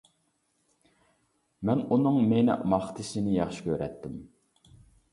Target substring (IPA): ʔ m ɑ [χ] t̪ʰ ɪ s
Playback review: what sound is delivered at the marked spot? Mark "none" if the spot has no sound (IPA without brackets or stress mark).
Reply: χ